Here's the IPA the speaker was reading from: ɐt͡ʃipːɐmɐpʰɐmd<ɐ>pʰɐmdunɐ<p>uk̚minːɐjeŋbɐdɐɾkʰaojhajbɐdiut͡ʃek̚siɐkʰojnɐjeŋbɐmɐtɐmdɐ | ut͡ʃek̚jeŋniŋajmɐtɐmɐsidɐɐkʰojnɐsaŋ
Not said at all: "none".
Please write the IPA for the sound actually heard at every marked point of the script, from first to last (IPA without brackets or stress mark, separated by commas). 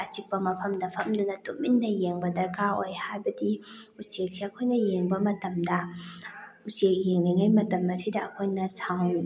ɐ, t